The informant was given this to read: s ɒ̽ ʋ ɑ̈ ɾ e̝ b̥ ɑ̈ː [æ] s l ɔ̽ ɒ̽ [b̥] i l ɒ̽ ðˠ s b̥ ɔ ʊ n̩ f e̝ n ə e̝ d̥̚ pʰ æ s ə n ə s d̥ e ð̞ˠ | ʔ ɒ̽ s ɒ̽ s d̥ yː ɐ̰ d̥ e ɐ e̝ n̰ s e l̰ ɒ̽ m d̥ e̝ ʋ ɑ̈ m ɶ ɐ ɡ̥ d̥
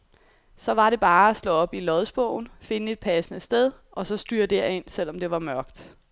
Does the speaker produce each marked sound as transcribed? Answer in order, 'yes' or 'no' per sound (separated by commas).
yes, yes